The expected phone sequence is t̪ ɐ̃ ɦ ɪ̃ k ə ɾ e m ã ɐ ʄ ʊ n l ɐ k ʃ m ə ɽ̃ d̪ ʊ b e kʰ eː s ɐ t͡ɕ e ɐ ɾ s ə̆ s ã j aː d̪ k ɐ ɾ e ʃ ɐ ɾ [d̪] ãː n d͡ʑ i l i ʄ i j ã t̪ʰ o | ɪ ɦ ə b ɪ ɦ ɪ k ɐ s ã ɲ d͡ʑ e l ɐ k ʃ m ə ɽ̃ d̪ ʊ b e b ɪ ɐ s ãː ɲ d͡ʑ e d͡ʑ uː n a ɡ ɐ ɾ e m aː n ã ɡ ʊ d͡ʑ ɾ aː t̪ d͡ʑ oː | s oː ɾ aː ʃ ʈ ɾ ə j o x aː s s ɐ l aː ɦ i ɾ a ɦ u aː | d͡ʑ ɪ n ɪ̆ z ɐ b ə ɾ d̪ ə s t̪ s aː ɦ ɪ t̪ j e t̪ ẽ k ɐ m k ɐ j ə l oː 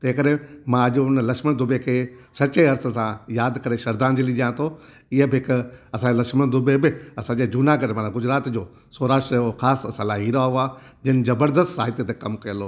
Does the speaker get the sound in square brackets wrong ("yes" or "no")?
no